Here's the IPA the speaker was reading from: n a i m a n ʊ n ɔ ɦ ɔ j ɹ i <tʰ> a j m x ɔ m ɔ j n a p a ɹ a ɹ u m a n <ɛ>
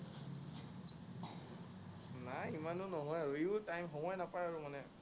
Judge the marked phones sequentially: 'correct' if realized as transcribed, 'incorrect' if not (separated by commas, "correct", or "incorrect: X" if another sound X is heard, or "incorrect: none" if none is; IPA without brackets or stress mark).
incorrect: t, correct